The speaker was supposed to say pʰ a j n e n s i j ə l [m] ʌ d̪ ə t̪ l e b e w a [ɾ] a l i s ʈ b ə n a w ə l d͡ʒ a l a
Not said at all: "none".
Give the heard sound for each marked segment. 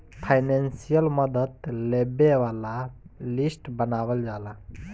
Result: m, l

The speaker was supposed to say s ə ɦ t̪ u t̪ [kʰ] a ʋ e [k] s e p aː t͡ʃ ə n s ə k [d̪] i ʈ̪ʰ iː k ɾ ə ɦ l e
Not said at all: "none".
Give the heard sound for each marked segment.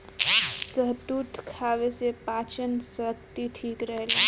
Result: kʰ, none, t̪

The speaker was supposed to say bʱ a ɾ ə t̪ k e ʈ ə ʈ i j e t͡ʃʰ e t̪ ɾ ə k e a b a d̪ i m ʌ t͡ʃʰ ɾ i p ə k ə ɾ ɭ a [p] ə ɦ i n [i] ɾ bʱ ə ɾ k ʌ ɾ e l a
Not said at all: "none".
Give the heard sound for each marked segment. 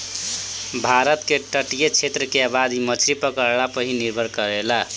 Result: p, i

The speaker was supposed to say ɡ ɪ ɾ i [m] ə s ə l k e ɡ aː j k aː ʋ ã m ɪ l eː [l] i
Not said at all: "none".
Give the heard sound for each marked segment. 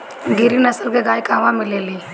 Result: n, l

